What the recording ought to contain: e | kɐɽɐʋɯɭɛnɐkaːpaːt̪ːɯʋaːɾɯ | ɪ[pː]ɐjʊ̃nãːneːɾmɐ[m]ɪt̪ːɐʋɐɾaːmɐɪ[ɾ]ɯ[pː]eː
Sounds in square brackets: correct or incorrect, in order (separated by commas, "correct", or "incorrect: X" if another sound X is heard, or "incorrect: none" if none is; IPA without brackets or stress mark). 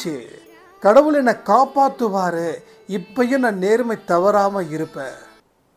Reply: correct, incorrect: none, correct, correct